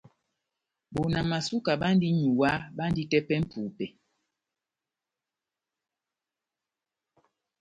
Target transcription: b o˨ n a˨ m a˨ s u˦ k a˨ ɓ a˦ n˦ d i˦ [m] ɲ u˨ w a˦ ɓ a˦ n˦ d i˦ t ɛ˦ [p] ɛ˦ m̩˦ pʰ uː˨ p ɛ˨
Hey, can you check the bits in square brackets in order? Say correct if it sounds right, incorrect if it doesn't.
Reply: incorrect: none, correct

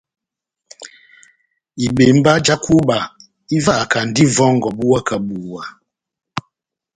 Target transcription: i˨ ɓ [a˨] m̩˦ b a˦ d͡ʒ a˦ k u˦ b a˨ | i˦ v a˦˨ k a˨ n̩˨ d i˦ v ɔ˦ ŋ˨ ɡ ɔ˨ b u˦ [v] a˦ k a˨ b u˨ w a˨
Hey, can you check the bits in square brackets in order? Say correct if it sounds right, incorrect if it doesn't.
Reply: incorrect: e˨, incorrect: w

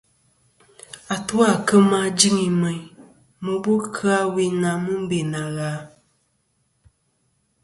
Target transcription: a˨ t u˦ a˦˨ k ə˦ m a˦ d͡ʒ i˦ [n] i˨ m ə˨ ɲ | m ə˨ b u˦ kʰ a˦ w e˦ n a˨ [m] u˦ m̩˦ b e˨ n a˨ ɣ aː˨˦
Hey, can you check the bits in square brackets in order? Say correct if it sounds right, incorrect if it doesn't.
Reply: incorrect: ŋ, correct

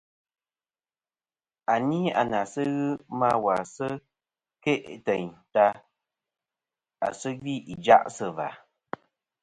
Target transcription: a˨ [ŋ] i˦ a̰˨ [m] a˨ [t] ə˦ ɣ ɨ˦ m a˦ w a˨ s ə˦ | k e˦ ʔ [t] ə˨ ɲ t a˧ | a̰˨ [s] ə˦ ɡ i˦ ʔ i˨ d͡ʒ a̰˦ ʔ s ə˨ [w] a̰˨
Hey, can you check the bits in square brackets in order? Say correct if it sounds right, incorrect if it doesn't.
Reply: incorrect: n, incorrect: n, incorrect: s, correct, correct, incorrect: v

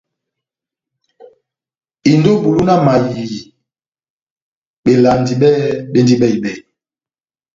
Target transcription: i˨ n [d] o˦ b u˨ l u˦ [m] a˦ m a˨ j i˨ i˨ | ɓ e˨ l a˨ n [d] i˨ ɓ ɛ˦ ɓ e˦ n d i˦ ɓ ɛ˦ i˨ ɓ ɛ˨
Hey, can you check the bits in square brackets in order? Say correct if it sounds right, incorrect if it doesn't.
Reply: correct, incorrect: n, correct

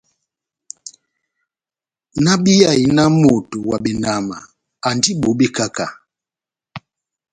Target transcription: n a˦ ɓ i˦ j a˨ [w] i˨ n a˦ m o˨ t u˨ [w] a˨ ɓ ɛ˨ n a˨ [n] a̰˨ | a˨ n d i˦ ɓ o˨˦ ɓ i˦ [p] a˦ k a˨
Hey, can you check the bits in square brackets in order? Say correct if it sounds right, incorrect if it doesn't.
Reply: incorrect: none, correct, incorrect: m, incorrect: k

